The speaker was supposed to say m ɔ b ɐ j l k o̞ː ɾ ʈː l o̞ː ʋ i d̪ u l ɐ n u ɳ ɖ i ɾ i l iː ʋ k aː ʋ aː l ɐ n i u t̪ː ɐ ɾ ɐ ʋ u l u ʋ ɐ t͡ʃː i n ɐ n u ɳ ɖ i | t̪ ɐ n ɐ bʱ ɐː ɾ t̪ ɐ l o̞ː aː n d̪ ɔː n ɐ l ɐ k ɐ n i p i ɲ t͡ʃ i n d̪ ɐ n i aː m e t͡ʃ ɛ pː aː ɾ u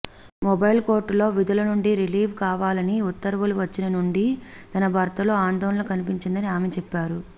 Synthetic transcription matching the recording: m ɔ b ɐ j l k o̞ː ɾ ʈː l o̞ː ʋ i d̪ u l ɐ n u ɳ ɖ i ɾ i l iː ʋ k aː ʋ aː l ɐ n i u t̪ː ɐ ɾ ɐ ʋ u l u ʋ ɐ t͡ʃː i n ɐ n u ɳ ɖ i | t̪ ɐ n ɐ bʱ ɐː ɾ t̪ ɐ l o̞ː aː n d̪ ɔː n ɐ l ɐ k ɐ n i p i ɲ t͡ʃ i n d̪ ɐ n i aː m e t͡ʃ ɛ pː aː ɾ u